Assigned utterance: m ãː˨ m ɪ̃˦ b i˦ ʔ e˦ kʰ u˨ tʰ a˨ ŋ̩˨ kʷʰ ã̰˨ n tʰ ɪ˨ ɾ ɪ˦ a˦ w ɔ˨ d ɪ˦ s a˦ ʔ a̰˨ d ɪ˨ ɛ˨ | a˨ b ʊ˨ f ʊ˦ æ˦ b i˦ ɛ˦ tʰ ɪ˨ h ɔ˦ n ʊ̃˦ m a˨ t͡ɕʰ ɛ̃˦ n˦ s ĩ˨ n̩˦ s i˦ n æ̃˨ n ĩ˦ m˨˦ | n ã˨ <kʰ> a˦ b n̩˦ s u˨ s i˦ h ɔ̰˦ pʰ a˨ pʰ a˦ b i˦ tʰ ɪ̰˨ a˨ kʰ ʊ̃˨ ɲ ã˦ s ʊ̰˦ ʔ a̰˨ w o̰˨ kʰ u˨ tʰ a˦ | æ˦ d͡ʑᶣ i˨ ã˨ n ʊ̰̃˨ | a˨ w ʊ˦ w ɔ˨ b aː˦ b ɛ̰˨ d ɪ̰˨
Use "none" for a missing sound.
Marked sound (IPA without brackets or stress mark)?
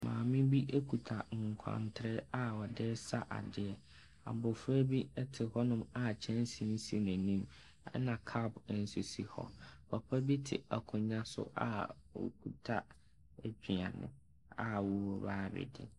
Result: kʰ